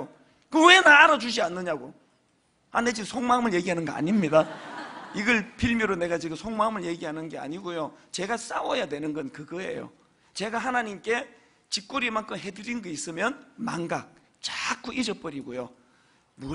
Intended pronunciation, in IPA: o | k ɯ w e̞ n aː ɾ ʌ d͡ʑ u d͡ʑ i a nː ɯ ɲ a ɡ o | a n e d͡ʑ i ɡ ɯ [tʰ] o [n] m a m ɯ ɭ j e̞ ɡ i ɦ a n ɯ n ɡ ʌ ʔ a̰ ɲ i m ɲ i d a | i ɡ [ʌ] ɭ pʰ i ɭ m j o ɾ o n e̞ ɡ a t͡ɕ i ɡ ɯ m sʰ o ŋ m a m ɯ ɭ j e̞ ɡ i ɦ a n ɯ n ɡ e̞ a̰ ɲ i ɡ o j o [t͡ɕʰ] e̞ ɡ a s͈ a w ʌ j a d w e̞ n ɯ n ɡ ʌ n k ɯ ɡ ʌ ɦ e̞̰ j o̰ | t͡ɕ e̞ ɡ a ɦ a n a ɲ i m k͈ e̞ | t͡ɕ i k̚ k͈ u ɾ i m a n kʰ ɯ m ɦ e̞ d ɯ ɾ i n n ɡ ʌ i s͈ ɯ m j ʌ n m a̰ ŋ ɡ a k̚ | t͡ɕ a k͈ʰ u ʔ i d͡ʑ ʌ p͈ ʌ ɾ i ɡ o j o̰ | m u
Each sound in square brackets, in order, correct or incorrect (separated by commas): incorrect, incorrect, correct, incorrect